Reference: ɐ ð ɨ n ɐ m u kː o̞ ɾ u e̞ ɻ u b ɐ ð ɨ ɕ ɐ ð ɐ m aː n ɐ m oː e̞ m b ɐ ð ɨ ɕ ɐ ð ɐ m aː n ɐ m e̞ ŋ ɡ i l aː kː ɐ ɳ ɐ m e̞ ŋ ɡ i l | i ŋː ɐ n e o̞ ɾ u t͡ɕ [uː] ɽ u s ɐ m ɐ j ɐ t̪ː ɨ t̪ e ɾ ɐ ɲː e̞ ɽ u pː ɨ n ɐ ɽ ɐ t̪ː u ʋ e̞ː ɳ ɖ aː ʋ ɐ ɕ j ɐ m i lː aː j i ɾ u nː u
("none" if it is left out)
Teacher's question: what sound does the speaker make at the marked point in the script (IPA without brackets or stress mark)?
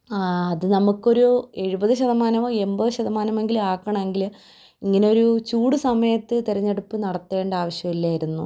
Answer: uː